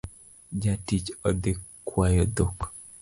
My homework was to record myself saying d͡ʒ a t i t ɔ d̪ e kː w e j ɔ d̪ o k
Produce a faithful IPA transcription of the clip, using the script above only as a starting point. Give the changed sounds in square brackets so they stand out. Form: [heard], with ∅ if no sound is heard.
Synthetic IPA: d͡ʒ a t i [t͡ʃ] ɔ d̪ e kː w [a] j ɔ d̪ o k